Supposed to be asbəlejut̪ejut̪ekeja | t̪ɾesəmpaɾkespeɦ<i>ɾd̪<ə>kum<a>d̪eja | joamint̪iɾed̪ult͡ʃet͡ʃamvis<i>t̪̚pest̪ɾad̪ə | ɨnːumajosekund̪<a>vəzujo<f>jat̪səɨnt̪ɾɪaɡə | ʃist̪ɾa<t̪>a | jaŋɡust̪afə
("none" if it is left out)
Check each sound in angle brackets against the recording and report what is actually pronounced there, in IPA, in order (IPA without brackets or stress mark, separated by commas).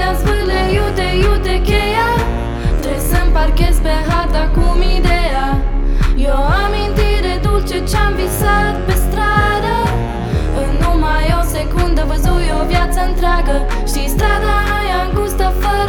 a, a, i, a, ə, v, d̪